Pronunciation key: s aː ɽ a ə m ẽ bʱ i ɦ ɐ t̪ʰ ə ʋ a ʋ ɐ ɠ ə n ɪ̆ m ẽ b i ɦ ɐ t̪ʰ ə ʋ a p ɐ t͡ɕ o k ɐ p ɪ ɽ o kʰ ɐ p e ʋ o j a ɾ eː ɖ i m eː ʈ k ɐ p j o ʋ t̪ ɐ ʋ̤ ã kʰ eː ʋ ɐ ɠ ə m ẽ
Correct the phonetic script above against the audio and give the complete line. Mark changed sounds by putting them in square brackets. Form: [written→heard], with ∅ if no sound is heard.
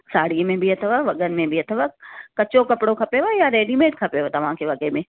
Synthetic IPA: s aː ɽ [a→i] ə m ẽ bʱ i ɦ ɐ t̪ʰ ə ʋ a ʋ ɐ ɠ ə n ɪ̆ m ẽ b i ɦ ɐ t̪ʰ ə ʋ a [p→k] ɐ t͡ɕ o k ɐ p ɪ ɽ o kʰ ɐ p e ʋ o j a ɾ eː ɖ i m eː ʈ [k→kʰ] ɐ p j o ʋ t̪ ɐ ʋ̤ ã kʰ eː ʋ ɐ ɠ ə m ẽ